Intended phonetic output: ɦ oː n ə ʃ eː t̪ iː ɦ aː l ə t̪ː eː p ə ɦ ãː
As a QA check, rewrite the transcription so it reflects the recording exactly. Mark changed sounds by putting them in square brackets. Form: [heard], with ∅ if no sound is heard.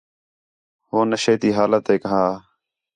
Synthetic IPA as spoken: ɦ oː n ə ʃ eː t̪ iː ɦ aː l ə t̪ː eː [k] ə ɦ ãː